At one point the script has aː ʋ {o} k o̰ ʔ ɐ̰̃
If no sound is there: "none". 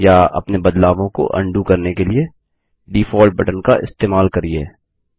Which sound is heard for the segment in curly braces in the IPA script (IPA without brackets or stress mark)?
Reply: õ